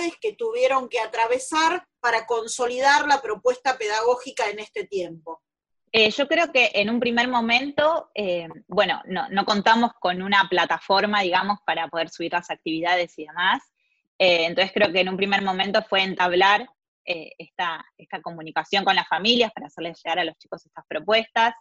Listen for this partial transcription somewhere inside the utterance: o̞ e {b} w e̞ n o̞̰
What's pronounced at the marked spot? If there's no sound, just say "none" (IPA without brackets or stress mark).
b